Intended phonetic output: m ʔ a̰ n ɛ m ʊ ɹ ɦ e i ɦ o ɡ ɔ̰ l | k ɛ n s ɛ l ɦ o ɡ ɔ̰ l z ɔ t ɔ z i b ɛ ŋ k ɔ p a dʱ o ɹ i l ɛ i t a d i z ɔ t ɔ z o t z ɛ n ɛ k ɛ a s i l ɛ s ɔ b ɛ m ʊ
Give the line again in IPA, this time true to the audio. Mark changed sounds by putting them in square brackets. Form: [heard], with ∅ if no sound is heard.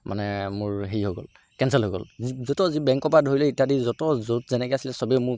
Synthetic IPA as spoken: m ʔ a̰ n ɛ m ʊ ɹ ɦ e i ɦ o ɡ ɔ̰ l | k ɛ n s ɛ l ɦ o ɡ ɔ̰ l z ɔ t ɔ z i b ɛ ŋ k ɔ p a dʱ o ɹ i l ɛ i t a d i z ɔ t ɔ z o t z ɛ n ɛ k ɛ a s i l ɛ s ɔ b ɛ m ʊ